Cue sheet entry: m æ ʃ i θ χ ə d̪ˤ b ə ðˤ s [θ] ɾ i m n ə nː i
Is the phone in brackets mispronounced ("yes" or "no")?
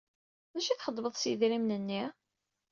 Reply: yes